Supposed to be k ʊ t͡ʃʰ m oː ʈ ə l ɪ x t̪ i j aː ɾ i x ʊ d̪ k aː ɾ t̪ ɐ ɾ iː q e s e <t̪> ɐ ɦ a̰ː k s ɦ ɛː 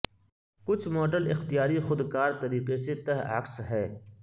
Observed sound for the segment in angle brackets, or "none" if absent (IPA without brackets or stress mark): t̪